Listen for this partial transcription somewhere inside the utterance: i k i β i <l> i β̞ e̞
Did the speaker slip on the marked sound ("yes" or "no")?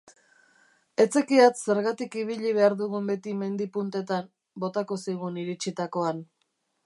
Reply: yes